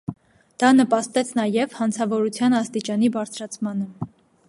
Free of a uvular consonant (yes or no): yes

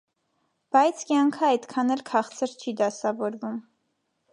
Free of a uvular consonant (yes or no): no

